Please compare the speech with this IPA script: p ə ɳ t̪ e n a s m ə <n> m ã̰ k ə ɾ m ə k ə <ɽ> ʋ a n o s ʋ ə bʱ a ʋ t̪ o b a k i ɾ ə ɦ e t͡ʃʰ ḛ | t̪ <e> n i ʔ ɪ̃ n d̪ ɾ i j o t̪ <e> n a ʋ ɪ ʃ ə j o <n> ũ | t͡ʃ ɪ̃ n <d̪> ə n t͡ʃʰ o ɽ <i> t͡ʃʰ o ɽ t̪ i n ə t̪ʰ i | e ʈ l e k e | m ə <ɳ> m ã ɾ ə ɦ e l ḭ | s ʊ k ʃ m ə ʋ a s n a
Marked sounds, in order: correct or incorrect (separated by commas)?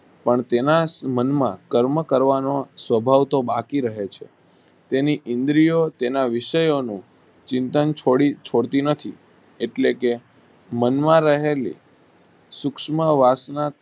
correct, incorrect, correct, correct, correct, incorrect, correct, incorrect